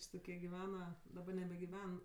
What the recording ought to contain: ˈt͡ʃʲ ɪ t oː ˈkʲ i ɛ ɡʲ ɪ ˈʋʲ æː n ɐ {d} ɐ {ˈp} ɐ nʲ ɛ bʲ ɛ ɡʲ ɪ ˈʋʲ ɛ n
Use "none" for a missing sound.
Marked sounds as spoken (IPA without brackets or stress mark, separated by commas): d, b